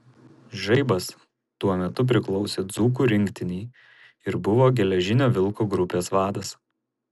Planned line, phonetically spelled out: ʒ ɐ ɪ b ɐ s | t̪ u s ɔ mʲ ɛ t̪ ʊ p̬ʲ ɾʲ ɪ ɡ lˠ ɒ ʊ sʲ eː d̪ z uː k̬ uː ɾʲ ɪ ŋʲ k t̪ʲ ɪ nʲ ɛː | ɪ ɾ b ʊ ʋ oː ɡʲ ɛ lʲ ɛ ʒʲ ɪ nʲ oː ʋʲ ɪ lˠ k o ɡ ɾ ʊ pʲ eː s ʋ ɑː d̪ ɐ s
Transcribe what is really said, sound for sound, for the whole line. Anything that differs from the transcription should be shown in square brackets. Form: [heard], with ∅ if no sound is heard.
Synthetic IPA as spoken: ʒ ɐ ɪ b ɐ s | t̪ u [∅] ɔ mʲ ɛ t̪ ʊ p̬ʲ ɾʲ ɪ [k] lˠ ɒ ʊ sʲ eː d̪ z uː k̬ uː ɾʲ ɪ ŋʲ k t̪ʲ ɪ nʲ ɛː | ɪ ɾ b ʊ ʋ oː ɡʲ ɛ lʲ ɛ ʒʲ ɪ nʲ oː ʋʲ ɪ lˠ k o ɡ ɾ ʊ pʲ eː s ʋ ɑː d̪ ɐ s